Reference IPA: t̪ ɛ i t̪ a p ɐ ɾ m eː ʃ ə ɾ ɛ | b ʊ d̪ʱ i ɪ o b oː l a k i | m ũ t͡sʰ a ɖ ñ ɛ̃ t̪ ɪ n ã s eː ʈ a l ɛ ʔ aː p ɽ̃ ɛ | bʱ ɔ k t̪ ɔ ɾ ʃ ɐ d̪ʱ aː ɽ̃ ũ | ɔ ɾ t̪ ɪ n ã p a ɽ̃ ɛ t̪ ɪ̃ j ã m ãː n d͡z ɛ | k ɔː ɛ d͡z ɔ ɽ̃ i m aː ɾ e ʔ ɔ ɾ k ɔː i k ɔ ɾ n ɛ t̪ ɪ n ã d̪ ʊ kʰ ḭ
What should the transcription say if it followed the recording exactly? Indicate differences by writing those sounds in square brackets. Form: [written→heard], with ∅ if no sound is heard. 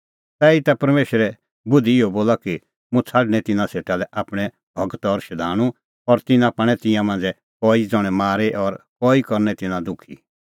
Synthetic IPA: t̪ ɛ i t̪ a p ɐ ɾ m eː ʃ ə ɾ ɛ | b ʊ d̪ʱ i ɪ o b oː l a k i | m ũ t͡sʰ a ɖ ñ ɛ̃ t̪ ɪ n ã s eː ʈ a l ɛ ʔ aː p ɽ̃ ɛ | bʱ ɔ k t̪ ɔ ɾ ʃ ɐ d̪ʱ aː ɽ̃ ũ | ɔ ɾ t̪ ɪ n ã p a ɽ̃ ɛ t̪ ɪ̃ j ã m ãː n d͡z ɛ | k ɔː [ɛ→i] d͡z ɔ ɽ̃ [i→ɛ] m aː ɾ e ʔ ɔ ɾ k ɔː i k ɔ ɾ n ɛ t̪ ɪ n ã d̪ ʊ kʰ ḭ